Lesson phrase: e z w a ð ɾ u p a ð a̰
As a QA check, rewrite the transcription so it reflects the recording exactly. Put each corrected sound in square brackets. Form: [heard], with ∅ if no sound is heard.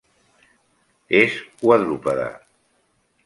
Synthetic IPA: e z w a ð ɾ u p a ð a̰